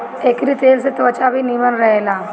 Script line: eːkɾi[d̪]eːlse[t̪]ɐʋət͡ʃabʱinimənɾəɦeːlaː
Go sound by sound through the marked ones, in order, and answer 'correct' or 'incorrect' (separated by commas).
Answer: incorrect, correct